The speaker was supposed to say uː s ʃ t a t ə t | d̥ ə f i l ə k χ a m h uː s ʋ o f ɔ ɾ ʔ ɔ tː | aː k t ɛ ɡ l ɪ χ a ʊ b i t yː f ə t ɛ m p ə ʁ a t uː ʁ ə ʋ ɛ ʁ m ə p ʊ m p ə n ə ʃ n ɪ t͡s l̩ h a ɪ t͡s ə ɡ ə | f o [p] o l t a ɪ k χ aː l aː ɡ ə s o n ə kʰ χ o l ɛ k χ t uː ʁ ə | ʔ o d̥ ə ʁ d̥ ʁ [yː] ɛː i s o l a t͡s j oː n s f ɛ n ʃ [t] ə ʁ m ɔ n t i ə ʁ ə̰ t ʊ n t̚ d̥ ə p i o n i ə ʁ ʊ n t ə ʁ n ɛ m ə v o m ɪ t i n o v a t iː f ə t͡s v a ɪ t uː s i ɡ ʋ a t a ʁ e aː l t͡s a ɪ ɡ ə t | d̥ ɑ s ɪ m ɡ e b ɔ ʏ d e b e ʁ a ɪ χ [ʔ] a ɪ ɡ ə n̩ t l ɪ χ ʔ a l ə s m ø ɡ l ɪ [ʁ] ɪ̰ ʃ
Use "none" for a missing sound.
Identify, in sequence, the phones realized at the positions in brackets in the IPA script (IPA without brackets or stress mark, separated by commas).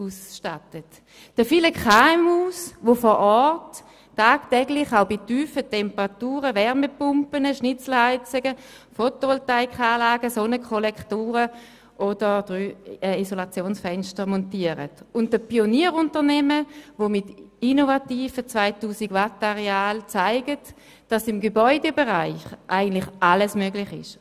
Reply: t, yː, t, ʔ, χ